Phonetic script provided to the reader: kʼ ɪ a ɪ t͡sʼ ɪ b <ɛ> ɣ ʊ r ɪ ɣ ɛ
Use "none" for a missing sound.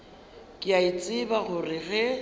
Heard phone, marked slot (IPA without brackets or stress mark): a